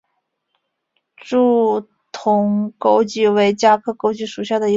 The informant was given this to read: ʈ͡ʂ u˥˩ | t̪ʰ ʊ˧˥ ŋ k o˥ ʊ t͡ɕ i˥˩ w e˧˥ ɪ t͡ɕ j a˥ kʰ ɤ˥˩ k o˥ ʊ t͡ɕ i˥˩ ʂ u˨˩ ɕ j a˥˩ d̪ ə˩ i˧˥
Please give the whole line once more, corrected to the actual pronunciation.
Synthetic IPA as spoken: ʈ͡ʂ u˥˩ | t̪ʰ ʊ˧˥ ŋ k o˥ ʊ t͡ɕ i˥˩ w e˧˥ ɪ t͡ɕ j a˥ kʰ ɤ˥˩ k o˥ ʊ t͡ɕ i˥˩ ʂ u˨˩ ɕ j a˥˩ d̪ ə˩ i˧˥